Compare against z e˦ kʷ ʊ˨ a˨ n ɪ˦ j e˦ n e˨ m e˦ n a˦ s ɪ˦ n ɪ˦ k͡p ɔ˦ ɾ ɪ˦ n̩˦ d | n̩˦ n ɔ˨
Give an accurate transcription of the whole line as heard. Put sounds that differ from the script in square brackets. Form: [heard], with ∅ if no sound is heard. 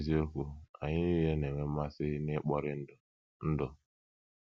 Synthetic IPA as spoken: z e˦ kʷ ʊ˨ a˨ [ɲ] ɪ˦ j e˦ n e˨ m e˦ [m] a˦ s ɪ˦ n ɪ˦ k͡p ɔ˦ ɾ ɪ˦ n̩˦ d | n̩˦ [d] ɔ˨